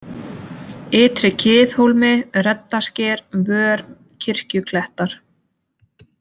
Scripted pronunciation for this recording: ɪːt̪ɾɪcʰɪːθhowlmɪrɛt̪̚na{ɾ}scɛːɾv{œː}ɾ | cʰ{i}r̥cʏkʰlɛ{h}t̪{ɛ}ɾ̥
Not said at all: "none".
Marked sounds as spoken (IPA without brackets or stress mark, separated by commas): none, œː, ɪ, h, a